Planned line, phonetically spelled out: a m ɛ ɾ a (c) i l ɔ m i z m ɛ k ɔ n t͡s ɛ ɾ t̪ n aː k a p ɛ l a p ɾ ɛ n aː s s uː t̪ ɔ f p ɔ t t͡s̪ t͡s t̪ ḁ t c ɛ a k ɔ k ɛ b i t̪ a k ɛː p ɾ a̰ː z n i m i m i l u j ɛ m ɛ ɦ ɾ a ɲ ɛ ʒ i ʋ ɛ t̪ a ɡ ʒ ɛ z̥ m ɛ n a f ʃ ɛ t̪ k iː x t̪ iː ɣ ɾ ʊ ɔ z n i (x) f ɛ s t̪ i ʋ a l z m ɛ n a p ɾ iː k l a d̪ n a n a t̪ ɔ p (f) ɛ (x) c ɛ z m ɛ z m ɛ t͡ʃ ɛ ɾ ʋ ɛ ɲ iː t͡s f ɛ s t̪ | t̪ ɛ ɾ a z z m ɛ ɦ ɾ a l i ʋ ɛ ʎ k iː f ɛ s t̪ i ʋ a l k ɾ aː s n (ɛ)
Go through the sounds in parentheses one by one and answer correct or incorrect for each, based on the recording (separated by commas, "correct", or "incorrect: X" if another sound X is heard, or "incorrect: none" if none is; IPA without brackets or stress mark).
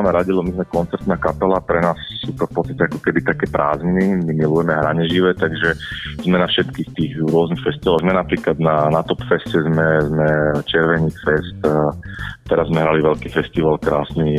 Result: incorrect: ɟ, correct, correct, incorrect: s, incorrect: i